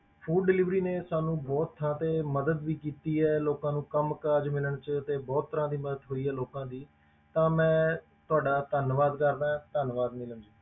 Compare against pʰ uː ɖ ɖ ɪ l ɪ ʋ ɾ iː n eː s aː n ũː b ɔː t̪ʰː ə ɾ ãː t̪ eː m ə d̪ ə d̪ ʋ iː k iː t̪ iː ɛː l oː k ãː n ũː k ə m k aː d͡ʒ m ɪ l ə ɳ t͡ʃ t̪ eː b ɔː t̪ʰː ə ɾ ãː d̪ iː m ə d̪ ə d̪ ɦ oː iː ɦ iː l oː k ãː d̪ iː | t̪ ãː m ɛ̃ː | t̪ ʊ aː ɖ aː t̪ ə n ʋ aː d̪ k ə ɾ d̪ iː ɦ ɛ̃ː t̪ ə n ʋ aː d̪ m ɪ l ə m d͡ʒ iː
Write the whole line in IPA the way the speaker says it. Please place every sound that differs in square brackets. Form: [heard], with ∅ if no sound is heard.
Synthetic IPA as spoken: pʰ uː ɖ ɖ ɪ l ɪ ʋ ɾ iː n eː s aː n ũː b ɔː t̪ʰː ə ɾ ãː t̪ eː m ə d̪ ə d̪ ʋ iː k iː t̪ iː ɛː l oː k ãː n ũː k ə m k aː d͡ʒ m ɪ l ə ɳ t͡ʃ t̪ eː b ɔː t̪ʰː ə ɾ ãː d̪ iː m ə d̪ ə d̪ ɦ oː iː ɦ [ɛː] l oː k ãː d̪ iː | t̪ ãː m ɛ̃ː | t̪ ʊ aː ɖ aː t̪ ə n ʋ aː d̪ k ə ɾ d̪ [aː] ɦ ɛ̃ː t̪ ə n ʋ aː d̪ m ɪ l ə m d͡ʒ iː